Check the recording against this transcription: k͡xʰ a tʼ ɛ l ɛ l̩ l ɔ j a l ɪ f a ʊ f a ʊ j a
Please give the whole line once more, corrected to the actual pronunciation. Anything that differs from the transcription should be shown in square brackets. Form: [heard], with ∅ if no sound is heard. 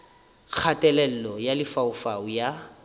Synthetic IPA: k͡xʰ a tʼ ɛ l ɛ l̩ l ɔ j a l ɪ f a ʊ f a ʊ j a